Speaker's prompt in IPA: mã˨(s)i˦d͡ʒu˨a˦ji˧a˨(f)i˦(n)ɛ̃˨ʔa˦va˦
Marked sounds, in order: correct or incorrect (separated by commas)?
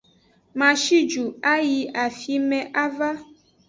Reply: incorrect, correct, incorrect